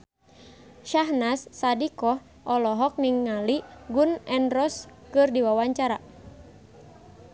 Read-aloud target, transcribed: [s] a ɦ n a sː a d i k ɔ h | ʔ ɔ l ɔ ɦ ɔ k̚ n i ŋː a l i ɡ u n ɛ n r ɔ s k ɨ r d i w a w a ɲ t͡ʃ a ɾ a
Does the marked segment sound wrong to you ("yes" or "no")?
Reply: yes